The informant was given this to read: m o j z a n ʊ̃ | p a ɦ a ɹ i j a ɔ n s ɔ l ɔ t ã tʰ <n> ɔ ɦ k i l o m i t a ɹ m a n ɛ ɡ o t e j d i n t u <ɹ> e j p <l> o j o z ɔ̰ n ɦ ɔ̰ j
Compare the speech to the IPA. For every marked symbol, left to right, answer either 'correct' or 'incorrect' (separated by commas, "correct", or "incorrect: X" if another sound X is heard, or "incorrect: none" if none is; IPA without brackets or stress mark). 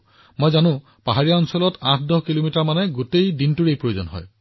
incorrect: d, correct, incorrect: ɹ